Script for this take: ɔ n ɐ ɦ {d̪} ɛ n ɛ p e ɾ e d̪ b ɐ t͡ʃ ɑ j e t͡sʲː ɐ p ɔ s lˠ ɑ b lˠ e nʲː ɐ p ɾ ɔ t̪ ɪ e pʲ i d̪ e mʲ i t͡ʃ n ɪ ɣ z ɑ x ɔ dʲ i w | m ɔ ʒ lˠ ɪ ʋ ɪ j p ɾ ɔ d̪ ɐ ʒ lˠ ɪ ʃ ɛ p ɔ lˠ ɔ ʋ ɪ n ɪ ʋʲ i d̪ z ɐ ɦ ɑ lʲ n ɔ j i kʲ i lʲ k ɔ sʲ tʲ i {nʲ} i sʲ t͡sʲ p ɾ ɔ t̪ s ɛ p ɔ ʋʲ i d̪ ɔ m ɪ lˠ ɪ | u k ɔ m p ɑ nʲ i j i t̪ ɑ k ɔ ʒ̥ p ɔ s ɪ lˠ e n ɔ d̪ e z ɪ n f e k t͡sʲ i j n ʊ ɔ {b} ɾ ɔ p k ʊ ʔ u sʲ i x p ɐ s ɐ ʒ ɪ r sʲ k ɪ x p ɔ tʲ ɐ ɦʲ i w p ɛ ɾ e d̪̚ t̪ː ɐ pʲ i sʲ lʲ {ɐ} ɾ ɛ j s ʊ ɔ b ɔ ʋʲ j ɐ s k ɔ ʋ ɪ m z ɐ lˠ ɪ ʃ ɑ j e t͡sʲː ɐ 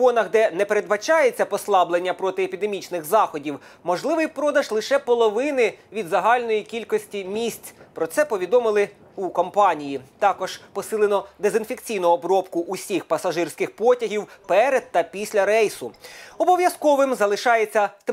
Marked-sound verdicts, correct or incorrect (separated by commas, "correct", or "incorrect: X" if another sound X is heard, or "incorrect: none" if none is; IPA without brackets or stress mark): correct, incorrect: mʲ, correct, correct